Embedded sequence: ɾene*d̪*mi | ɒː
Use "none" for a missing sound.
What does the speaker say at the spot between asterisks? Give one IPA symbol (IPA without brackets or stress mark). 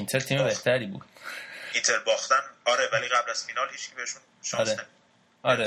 none